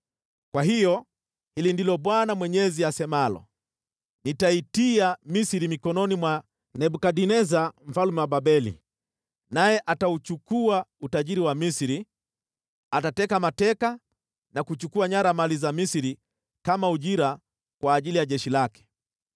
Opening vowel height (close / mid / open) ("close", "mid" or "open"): open